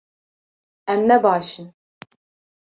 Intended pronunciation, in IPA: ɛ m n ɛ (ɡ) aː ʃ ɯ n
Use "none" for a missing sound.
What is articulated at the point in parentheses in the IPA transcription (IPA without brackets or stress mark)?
b